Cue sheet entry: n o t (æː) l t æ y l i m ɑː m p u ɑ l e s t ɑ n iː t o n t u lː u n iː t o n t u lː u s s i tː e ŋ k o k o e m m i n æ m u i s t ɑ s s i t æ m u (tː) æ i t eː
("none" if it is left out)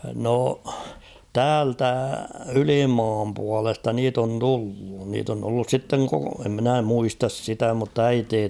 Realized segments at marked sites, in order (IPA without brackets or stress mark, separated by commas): æː, tː